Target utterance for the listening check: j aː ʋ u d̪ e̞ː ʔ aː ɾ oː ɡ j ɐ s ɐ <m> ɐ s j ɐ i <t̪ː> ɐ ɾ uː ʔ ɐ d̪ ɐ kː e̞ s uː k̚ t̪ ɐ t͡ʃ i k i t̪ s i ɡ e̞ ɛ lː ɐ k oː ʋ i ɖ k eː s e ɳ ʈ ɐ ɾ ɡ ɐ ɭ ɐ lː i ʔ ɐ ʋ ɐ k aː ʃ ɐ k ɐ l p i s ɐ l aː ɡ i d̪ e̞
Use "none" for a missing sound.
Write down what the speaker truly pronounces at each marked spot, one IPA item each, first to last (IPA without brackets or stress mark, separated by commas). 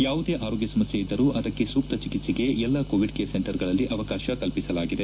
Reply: m, d̪ː